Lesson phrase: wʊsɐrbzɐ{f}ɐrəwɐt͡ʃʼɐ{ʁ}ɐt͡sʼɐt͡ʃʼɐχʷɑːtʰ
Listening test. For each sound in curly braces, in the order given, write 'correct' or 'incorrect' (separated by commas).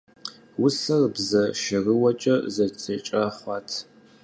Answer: incorrect, incorrect